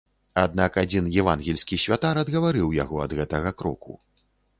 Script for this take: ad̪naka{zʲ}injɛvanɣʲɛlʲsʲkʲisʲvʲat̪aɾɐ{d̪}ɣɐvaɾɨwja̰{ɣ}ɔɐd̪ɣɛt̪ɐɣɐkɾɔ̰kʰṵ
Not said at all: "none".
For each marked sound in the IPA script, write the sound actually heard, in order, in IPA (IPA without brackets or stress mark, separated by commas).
d͡zʲ, d̪, ɣ